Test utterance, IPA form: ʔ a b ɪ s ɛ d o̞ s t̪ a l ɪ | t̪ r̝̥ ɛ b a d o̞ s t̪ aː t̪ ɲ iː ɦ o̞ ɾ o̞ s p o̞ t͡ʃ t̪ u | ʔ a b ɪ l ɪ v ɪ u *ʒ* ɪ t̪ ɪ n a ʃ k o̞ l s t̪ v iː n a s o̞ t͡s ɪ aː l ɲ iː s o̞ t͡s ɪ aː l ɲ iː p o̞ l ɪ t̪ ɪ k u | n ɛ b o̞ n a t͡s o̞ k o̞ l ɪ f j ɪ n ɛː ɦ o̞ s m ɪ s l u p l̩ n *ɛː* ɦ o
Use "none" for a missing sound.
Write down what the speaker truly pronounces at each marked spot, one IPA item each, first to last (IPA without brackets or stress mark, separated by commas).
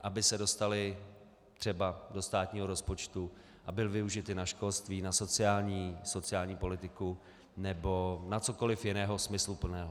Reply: ʒ, ɛː